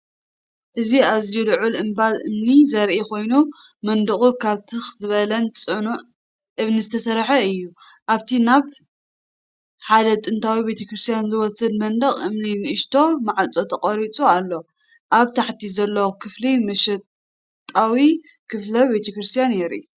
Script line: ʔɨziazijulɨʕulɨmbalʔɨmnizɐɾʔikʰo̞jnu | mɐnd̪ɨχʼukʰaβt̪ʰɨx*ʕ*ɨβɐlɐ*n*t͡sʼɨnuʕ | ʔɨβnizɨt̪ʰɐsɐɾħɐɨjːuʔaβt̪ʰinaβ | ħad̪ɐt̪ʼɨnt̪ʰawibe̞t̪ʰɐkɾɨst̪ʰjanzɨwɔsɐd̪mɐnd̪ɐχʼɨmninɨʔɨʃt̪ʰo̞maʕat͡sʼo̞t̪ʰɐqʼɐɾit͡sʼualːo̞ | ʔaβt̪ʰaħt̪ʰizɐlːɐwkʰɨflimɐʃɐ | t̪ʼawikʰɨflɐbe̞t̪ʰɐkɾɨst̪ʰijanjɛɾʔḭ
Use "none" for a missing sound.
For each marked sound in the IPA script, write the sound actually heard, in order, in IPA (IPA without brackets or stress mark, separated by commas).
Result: z, n